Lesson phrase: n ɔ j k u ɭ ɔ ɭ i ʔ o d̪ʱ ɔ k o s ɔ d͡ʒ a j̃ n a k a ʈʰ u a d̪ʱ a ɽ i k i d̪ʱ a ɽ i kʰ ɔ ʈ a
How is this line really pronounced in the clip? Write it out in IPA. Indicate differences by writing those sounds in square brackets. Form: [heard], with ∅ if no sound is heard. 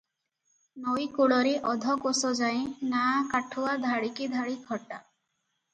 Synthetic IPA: n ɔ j k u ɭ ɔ [ɾ] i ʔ [ɔ] d̪ʱ ɔ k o s ɔ d͡ʒ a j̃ n a k a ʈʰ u a d̪ʱ a ɽ i k i d̪ʱ a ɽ i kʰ ɔ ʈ a